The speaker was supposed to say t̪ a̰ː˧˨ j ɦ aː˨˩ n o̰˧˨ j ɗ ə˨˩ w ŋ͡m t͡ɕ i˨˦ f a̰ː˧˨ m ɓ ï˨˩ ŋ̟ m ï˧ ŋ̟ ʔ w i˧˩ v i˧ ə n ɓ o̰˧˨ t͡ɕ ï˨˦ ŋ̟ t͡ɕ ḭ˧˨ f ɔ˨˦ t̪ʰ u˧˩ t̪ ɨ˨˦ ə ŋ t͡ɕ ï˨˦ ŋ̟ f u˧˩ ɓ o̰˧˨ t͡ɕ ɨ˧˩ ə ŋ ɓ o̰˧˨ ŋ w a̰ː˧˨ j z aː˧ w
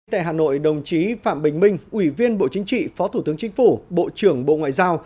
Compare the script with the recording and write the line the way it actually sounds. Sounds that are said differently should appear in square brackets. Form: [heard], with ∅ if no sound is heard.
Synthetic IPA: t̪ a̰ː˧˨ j ɦ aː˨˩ n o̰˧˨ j ɗ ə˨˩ w ŋ͡m t͡ɕ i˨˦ f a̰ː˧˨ m ɓ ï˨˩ ŋ̟ m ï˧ ŋ̟ ʔ w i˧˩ v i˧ ə n ɓ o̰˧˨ t͡ɕ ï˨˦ ŋ̟ t͡ɕ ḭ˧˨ f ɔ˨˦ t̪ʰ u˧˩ t̪ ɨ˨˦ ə ŋ t͡ɕ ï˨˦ ŋ̟ f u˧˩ ɓ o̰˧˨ t͡ɕ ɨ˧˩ ə ŋ ɓ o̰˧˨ ŋ w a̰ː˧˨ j z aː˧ w